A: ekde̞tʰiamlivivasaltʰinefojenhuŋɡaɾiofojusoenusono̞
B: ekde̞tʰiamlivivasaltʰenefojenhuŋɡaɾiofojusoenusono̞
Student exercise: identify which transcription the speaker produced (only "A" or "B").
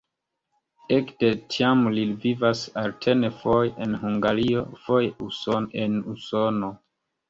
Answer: B